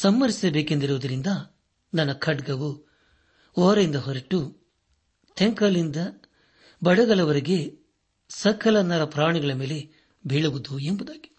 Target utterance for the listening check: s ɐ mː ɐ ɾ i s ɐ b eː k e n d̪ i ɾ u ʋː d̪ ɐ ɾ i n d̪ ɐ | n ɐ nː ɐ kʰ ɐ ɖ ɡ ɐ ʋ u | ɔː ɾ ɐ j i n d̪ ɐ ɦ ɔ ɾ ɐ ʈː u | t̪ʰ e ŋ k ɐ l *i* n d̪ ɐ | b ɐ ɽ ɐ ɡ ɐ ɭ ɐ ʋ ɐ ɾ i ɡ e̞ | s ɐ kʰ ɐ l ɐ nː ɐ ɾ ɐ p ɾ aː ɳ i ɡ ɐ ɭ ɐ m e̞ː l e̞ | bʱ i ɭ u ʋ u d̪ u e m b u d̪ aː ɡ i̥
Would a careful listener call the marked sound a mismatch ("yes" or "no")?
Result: no